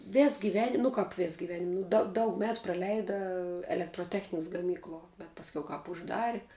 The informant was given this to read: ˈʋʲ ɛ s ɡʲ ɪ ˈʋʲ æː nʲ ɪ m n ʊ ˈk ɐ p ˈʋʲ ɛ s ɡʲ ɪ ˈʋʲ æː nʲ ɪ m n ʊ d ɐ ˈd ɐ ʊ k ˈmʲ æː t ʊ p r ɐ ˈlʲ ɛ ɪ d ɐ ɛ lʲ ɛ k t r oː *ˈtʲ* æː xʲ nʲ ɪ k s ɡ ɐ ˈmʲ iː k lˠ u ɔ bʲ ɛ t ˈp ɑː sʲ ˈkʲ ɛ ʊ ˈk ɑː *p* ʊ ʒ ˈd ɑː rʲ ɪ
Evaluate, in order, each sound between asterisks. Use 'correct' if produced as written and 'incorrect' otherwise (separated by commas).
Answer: correct, correct